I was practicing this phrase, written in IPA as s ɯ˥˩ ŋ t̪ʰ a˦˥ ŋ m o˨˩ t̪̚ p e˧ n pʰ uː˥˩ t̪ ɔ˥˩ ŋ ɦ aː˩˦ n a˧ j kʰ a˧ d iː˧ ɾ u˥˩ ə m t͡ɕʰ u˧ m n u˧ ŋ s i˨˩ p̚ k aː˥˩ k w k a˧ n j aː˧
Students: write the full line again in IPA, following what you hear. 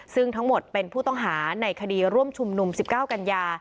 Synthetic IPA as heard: s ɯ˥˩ ŋ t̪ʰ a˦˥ ŋ m o˨˩ t̪̚ p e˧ n pʰ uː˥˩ t̪ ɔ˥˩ ŋ ɦ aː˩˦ n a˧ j kʰ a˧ d iː˧ ɾ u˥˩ ə m t͡ɕʰ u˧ m n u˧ m s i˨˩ p̚ k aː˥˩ w k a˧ n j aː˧